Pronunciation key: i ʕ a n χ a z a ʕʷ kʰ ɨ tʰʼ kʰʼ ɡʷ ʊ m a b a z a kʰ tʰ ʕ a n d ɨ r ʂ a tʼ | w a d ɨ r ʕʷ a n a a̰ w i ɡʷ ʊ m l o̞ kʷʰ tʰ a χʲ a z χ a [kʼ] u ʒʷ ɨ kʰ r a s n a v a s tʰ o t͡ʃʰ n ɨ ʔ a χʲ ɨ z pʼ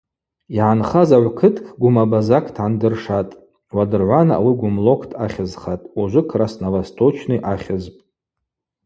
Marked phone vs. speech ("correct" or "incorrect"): incorrect